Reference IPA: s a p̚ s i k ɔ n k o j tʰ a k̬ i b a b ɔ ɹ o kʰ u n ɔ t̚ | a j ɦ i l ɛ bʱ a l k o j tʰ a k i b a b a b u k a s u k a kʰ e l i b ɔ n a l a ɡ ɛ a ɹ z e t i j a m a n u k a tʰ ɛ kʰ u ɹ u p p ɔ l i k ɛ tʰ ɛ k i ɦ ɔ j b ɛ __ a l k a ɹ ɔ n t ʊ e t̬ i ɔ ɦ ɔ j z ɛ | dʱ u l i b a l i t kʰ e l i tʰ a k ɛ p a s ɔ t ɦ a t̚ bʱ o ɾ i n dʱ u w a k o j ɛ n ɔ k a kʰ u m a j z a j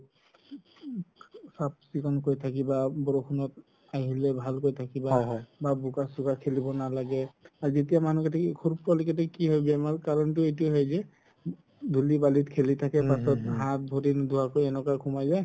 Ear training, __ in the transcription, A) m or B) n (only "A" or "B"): A